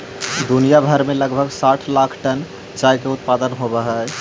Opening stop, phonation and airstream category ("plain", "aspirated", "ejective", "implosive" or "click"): plain